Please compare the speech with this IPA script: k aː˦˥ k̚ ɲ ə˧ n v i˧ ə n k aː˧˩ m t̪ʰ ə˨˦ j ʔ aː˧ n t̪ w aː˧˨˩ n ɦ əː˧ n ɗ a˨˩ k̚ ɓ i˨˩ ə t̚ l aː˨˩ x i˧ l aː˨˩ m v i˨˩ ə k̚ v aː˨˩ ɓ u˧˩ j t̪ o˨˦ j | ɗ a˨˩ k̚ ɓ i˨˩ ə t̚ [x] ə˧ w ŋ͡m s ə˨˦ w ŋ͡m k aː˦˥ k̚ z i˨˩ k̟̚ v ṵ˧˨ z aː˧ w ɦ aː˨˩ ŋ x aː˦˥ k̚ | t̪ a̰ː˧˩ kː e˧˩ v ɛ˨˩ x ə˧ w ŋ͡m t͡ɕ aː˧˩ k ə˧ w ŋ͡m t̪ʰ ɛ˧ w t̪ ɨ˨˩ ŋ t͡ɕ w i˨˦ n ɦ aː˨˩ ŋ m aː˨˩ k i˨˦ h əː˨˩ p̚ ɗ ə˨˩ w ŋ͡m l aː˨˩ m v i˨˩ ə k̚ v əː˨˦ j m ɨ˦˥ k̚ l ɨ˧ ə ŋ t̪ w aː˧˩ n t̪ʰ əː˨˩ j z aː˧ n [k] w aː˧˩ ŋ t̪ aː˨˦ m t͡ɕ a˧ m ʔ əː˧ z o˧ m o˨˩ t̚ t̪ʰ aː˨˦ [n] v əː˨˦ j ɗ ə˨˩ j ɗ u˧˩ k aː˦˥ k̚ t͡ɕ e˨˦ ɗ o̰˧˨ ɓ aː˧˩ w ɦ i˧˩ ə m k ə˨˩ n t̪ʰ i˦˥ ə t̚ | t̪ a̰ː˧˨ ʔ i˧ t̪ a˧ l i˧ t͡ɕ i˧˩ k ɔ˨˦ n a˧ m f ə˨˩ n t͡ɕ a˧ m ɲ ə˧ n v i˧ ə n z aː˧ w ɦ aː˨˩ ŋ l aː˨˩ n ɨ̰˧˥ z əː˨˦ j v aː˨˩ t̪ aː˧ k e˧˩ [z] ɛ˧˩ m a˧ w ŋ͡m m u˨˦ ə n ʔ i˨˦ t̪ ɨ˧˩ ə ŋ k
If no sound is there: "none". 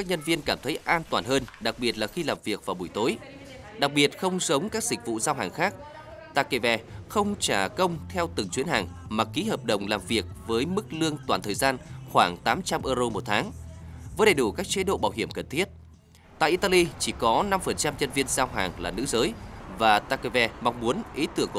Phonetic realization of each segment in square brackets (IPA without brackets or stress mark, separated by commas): x, x, ŋ, v